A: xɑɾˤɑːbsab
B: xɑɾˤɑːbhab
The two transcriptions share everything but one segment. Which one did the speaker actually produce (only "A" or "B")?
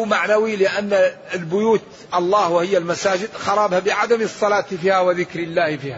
B